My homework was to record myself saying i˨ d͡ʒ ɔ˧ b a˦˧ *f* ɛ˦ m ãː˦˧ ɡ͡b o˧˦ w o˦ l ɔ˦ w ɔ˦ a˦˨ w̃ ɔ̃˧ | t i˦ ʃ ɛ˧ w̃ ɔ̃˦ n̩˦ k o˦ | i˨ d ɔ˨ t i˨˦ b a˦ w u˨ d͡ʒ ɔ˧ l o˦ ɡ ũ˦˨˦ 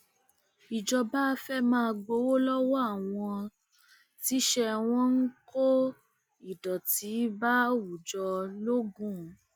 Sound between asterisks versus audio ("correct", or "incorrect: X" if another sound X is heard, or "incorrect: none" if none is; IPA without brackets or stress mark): correct